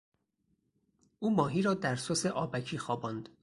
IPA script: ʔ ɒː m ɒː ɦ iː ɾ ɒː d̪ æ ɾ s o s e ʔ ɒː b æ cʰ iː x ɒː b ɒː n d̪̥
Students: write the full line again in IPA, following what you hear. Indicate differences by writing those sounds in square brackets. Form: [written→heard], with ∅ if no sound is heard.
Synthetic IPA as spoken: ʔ [ɒː→uː] m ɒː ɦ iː ɾ ɒː d̪ æ ɾ s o s e ʔ ɒː b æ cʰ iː x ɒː b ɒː n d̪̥

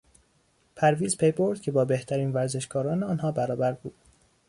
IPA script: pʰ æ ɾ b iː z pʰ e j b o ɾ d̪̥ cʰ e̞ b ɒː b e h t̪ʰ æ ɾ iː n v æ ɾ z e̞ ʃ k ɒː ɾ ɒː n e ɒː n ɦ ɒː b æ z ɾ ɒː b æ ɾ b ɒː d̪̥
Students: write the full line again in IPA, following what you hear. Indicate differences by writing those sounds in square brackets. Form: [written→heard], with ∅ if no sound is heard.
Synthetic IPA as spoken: pʰ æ ɾ [b→v] iː z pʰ e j b o ɾ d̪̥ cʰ e̞ b ɒː b e h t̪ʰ æ ɾ iː n v æ ɾ z e̞ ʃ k ɒː ɾ ɒː n e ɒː n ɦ ɒː b æ [z→∅] ɾ ɒː b æ ɾ b [ɒː→uː] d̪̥

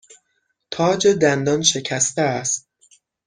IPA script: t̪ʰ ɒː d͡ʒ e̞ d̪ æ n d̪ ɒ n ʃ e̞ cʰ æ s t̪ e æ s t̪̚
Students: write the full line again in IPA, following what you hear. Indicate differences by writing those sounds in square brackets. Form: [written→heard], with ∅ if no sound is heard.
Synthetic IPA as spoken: t̪ʰ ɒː d͡ʒ e̞ d̪ æ n d̪ ɒ n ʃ e̞ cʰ æ s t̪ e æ s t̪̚

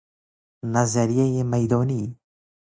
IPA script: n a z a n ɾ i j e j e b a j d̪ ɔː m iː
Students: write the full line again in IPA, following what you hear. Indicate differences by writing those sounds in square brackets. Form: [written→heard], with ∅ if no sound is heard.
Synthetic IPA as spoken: n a z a [n→∅] ɾ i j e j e [b→m] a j d̪ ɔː [m→n] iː

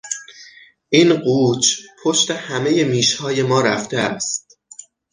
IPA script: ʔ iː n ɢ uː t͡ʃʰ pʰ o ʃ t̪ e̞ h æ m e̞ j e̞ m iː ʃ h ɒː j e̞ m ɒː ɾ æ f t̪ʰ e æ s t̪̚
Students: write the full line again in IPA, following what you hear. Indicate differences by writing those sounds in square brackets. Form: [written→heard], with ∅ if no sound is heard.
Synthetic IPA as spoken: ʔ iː n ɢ uː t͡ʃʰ pʰ o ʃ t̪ e̞ h æ m e̞ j e̞ m iː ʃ h ɒː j e̞ m ɒː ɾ æ f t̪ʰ e æ s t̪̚

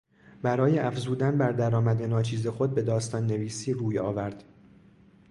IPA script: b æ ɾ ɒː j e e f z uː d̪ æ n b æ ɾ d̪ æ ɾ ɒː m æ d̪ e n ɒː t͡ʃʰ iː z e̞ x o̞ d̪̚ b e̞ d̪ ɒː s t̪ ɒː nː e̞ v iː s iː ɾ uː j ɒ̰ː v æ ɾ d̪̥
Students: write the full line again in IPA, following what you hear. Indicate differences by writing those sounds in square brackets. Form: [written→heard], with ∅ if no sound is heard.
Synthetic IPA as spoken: b æ ɾ ɒː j e [e→æ] f z uː d̪ æ n b æ ɾ d̪ æ ɾ ɒː m æ d̪ e n ɒː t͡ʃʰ iː z e̞ x o̞ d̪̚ b e̞ d̪ ɒː s t̪ ɒː nː e̞ v iː s iː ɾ uː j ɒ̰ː v æ ɾ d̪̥

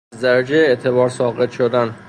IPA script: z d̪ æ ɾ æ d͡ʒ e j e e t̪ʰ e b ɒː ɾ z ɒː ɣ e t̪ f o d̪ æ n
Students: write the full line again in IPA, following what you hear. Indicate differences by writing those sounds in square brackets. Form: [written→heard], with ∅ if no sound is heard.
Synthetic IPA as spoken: z d̪ æ ɾ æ d͡ʒ e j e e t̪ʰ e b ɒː ɾ [z→s] ɒː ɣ e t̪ [f→ʃ] o d̪ æ n

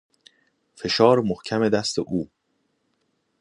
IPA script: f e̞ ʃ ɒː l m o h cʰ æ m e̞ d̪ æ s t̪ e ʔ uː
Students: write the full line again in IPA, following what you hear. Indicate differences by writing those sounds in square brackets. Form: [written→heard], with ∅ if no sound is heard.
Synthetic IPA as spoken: f e̞ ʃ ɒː [l→ɾ] m o h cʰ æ m e̞ d̪ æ s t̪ e ʔ uː

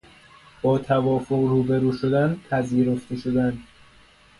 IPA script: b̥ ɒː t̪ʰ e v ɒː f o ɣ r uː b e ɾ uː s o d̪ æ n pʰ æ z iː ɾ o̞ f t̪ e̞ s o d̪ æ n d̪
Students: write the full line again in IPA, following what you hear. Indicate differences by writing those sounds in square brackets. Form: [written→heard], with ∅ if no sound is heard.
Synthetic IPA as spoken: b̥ ɒː t̪ʰ [e→æ] v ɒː f o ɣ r uː b e ɾ uː [s→ʃ] o d̪ æ n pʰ æ z iː ɾ o̞ f t̪ e̞ [s→ʃ] o d̪ æ n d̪

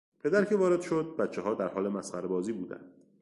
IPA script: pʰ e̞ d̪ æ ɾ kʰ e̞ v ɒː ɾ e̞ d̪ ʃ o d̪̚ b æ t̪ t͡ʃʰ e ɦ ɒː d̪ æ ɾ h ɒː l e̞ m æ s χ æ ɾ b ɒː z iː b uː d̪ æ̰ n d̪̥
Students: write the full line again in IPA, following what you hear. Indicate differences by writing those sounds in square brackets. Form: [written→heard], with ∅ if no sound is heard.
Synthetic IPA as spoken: pʰ e̞ d̪ æ ɾ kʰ e̞ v ɒː ɾ e̞ d̪ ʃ o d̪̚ b æ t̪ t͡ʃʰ e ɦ ɒː d̪ æ ɾ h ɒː l e̞ m æ s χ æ ɾ b ɒː z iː b uː d̪ æ̰ n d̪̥

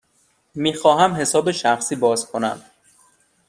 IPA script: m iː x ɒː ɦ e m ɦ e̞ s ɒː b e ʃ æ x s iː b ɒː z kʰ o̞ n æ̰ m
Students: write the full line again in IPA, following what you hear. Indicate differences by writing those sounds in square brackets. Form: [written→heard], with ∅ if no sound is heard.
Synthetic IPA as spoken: m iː x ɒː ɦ [e→æ] m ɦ e̞ s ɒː b e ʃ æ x s iː b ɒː z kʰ o̞ n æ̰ m

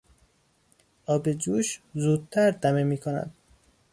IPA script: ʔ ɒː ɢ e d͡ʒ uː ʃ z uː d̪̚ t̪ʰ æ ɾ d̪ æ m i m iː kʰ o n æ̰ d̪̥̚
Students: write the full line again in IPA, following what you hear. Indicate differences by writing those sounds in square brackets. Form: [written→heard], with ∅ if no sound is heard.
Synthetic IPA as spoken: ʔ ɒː [ɢ→b] e d͡ʒ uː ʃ z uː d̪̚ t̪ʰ æ ɾ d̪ æ m [i→e] m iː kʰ o n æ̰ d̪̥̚

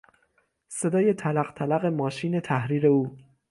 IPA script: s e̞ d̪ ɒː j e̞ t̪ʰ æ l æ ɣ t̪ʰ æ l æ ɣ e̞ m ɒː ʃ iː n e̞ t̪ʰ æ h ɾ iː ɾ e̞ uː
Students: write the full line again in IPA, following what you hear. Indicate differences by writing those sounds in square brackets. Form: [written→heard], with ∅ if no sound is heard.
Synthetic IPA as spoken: s e̞ d̪ ɒː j e̞ t̪ʰ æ l æ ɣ t̪ʰ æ l æ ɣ e̞ m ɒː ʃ iː n e̞ t̪ʰ æ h ɾ iː ɾ e̞ uː

